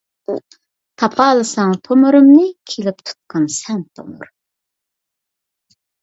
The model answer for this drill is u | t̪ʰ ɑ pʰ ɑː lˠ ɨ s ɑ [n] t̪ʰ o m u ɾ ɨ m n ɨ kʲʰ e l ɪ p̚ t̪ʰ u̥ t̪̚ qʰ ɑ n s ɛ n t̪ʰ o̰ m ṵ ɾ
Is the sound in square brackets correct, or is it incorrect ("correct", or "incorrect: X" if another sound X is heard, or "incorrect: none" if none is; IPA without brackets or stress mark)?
incorrect: ŋ